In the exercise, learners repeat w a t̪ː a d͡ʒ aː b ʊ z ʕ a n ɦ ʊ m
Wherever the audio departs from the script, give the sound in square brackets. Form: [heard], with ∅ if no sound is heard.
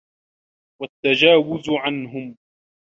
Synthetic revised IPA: w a t̪ː a d͡ʒ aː [w] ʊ z ʕ a n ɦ ʊ m